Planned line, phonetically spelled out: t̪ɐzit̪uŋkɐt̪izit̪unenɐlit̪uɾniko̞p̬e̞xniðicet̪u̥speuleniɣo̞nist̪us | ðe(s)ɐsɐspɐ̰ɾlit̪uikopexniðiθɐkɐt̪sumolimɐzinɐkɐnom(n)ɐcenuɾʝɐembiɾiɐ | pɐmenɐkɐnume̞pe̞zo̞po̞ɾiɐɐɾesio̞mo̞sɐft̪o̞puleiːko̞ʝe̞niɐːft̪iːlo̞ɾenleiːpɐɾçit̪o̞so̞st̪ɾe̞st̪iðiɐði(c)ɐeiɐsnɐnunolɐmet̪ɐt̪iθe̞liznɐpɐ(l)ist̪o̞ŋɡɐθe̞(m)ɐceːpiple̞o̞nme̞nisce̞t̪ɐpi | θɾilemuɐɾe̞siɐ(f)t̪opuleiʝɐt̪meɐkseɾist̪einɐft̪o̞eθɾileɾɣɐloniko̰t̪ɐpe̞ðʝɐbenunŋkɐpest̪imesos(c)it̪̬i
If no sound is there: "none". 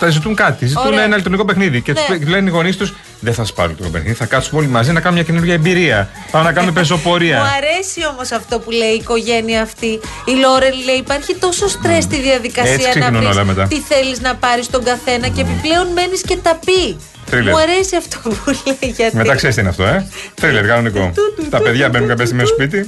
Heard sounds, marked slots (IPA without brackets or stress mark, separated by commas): θ, ɲ, k, ɾ, n, f, p